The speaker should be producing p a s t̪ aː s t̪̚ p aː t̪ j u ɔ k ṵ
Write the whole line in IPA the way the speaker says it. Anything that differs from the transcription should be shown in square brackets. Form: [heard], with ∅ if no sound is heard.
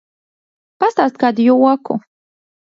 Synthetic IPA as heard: p a s t̪ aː s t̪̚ [k] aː [d̪] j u ɔ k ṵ